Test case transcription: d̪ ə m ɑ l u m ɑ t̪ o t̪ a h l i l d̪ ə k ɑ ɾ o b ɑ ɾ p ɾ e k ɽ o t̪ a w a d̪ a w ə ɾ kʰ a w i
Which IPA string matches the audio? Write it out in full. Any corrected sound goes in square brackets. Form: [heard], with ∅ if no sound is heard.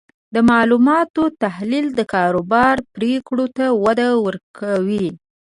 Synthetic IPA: d̪ ə m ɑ l u m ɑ t̪ o t̪ a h l i l d̪ ə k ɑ ɾ o b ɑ ɾ p ɾ e k ɽ o t̪ a w a d̪ a w ə ɾ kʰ a w i